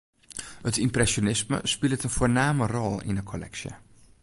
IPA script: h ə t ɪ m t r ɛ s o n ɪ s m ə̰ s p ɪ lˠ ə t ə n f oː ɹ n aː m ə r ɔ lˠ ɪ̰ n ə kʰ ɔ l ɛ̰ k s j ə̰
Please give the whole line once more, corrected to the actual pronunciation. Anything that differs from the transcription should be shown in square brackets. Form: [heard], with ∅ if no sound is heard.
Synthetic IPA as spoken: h ə t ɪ m [p] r ɛ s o n ɪ s m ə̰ s p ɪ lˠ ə t ə n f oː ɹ n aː m ə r ɔ lˠ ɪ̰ n ə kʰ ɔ l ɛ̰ k s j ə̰